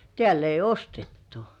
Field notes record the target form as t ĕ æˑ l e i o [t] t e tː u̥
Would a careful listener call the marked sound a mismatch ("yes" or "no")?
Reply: yes